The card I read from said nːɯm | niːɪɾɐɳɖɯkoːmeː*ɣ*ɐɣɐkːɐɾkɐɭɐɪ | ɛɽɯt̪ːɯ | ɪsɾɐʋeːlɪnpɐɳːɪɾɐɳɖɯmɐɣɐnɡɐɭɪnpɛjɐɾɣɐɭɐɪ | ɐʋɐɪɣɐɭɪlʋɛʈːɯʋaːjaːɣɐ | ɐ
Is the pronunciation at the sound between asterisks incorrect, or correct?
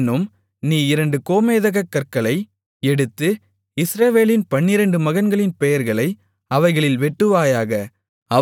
incorrect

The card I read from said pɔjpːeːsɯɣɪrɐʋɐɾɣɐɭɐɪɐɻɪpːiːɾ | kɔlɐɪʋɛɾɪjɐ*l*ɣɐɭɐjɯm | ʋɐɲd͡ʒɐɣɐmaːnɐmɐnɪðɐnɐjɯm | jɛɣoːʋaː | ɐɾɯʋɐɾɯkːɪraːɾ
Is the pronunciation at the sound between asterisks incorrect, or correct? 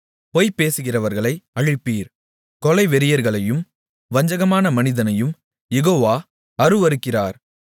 incorrect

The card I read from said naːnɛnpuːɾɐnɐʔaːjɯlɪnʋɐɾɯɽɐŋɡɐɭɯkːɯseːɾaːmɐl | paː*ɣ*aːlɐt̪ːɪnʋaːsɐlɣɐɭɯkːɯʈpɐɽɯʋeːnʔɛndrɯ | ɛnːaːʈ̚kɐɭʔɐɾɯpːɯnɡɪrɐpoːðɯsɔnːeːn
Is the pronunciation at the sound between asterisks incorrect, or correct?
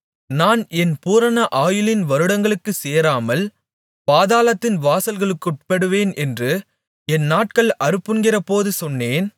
incorrect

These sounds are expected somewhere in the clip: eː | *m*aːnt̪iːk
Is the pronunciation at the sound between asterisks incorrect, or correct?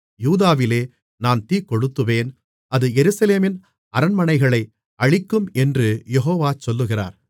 incorrect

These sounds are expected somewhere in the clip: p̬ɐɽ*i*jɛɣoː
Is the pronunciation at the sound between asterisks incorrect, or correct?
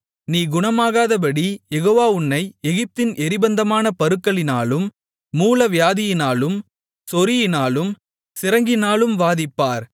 correct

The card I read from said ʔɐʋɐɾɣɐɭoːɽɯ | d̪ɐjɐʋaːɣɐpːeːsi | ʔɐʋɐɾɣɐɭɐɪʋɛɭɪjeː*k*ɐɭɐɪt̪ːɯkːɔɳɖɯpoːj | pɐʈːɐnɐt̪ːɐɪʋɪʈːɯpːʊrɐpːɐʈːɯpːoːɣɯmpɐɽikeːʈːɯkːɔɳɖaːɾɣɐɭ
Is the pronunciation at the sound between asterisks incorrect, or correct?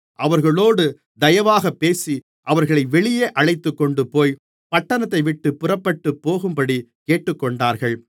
incorrect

